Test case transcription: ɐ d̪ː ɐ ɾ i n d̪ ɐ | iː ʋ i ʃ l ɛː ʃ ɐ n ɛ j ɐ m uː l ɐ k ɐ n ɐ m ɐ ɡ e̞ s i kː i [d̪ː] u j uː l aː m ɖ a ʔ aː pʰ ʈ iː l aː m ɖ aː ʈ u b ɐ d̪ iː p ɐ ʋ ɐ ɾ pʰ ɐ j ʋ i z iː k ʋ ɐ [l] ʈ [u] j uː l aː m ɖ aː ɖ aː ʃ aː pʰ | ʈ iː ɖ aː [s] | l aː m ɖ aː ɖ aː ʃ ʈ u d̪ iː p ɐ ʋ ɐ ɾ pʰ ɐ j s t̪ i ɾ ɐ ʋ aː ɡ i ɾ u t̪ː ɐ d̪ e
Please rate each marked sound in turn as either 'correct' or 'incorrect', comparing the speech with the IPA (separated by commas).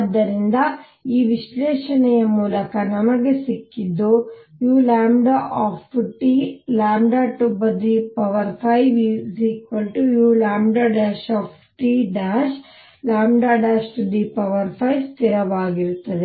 correct, correct, correct, incorrect